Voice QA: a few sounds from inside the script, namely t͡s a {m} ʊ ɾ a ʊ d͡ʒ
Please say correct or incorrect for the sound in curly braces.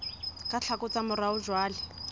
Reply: correct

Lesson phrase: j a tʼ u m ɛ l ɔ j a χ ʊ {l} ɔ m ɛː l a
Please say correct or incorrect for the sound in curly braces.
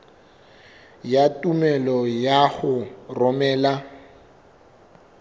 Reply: incorrect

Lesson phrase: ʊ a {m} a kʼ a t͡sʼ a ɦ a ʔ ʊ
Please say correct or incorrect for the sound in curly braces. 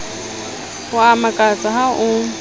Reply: correct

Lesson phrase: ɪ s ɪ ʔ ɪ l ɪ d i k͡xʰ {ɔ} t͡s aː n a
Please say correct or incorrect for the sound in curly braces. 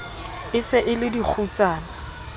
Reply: incorrect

